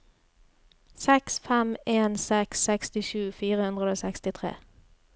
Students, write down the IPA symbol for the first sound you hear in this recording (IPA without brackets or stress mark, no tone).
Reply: s